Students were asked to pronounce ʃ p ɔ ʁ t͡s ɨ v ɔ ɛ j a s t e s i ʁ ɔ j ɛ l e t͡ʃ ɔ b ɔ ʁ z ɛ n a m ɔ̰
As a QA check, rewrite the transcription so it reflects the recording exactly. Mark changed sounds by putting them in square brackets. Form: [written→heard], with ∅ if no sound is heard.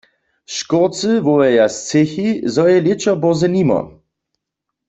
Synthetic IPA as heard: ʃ [p→k] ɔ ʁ t͡s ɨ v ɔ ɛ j a s [t→t͡s] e [s→x] i [ʁ→z] ɔ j ɛ l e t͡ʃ ɔ b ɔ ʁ z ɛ n [a→i] m ɔ̰